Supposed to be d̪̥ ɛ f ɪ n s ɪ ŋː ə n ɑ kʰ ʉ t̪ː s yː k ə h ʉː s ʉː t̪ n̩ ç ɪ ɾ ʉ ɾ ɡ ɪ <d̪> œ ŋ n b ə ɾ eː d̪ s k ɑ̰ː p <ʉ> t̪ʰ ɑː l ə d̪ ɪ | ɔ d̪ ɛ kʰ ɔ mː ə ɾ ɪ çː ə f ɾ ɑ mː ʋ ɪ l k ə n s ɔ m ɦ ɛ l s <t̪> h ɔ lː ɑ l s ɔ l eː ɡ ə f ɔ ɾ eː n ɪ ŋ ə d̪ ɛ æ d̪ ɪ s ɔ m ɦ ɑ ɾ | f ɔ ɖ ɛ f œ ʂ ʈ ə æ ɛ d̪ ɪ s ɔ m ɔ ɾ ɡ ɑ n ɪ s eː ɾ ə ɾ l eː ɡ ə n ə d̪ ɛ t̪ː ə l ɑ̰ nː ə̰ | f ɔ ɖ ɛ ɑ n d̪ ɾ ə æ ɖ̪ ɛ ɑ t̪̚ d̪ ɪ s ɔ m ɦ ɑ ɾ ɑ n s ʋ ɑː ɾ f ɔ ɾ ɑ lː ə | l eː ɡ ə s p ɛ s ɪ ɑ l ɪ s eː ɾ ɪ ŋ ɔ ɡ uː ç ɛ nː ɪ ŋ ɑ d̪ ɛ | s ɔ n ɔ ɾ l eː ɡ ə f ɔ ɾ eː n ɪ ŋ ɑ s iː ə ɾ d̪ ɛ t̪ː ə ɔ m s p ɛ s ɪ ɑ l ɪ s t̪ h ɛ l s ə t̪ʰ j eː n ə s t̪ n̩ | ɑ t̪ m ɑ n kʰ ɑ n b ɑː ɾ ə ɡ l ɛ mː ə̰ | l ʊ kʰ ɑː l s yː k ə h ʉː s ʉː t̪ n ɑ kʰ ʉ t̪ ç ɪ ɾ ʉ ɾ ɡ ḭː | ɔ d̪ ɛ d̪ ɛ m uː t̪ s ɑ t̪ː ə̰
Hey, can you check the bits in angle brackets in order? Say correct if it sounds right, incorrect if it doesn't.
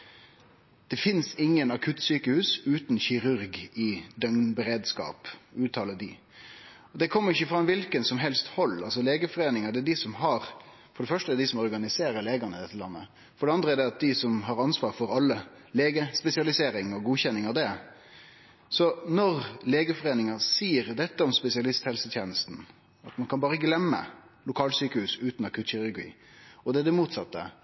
correct, incorrect: ʉː, correct

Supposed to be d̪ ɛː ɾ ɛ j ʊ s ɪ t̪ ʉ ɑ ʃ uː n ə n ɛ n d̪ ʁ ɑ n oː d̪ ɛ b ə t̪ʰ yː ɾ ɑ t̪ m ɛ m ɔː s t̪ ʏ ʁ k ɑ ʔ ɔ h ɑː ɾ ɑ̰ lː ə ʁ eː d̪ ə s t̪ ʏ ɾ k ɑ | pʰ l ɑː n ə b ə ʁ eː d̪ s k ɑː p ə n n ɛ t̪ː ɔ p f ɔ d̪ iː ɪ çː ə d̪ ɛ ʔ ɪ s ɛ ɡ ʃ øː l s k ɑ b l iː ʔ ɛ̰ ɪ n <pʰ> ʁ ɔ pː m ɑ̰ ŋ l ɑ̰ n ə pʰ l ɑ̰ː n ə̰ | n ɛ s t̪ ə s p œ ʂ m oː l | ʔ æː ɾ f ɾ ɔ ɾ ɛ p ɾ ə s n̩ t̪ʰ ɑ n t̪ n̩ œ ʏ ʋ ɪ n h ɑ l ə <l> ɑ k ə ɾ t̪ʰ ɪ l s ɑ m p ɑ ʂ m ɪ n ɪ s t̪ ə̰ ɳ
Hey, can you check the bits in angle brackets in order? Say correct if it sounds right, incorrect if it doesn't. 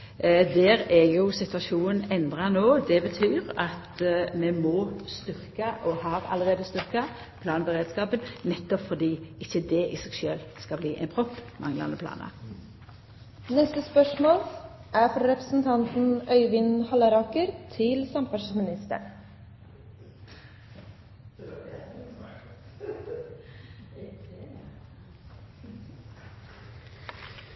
correct, incorrect: ɾ

